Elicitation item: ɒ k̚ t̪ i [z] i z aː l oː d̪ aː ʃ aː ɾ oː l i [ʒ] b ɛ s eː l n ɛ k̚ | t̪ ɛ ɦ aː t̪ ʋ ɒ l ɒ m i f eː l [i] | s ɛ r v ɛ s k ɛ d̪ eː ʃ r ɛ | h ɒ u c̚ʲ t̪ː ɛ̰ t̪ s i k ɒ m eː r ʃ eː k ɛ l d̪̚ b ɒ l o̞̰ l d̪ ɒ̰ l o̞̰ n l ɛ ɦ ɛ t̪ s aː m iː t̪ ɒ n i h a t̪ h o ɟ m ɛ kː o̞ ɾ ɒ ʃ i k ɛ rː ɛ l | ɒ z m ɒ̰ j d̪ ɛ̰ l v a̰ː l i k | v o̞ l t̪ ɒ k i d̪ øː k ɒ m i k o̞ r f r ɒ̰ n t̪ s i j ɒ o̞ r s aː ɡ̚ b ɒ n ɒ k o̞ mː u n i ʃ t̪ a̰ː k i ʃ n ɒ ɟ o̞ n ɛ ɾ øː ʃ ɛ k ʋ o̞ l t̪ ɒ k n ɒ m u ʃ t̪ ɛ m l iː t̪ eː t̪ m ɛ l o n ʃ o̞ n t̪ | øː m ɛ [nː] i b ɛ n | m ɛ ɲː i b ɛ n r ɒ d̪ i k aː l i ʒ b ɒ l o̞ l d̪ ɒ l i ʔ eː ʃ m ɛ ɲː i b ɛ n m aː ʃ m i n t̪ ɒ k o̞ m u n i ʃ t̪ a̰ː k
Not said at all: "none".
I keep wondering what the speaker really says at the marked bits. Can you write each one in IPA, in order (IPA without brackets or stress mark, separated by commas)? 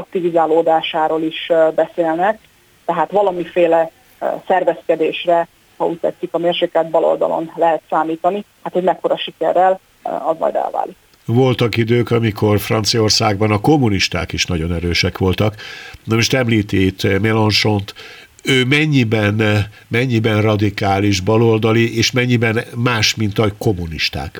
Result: v, ʃ, ɛ, ɲː